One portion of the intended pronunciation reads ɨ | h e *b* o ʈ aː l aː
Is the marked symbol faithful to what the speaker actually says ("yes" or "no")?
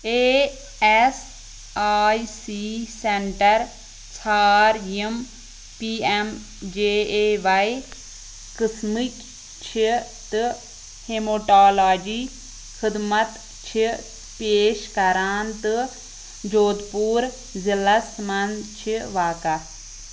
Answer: no